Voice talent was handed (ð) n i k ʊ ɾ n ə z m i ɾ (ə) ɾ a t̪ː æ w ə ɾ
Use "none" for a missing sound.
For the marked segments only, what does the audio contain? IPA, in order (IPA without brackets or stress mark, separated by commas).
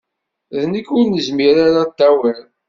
ð, a